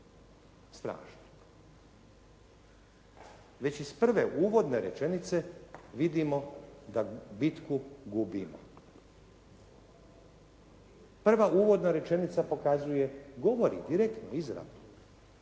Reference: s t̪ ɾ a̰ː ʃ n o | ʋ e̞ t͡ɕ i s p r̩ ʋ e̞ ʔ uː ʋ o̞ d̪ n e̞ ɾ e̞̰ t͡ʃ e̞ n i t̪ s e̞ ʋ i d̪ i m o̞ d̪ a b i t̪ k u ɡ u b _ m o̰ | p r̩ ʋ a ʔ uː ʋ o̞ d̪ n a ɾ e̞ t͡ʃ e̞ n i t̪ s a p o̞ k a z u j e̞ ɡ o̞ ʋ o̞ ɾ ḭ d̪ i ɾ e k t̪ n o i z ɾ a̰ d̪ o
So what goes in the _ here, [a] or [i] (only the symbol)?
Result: i